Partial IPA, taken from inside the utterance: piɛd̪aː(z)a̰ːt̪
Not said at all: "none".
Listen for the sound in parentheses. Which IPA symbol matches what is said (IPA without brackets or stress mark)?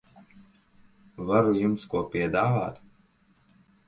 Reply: v